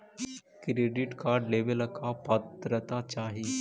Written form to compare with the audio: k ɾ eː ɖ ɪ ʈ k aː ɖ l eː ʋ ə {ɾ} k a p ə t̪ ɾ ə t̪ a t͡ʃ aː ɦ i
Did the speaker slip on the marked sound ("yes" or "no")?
yes